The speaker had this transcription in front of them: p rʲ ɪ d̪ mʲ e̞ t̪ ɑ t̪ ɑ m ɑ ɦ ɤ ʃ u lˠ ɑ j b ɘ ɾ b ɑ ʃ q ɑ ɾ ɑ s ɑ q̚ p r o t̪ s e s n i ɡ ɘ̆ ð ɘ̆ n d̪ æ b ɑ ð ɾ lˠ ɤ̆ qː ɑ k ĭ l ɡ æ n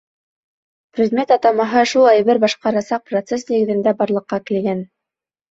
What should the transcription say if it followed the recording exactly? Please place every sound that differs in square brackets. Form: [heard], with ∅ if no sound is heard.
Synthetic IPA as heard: p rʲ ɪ d̪ mʲ e̞ t̪ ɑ t̪ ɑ m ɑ ɦ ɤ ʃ u lˠ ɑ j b ɘ ɾ b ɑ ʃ q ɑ ɾ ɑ s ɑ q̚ p r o t̪ s e s n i ɡ ɘ̆ ð ɘ̆ n d̪ æ b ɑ [∅] ɾ lˠ ɤ̆ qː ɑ k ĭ l ɡ æ n